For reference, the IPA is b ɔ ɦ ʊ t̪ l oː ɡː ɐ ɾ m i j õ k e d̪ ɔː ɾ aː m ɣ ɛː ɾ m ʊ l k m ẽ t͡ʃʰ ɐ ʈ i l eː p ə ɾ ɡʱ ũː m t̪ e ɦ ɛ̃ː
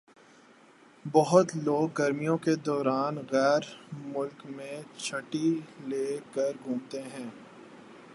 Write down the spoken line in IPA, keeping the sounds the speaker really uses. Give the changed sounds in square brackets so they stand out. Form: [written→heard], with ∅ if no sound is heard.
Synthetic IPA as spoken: b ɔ ɦ ʊ t̪ l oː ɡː ɐ ɾ m i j õ k e d̪ ɔː ɾ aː [m→n] ɣ ɛː ɾ m ʊ l k m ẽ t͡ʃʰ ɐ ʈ i l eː [p→k] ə ɾ ɡʱ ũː m t̪ e ɦ ɛ̃ː